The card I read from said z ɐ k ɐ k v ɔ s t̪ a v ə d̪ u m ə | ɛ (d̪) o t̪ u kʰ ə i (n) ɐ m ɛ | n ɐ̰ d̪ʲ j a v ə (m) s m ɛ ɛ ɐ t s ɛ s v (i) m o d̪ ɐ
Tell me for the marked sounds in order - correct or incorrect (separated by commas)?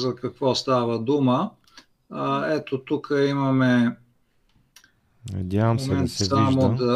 incorrect, incorrect, correct, incorrect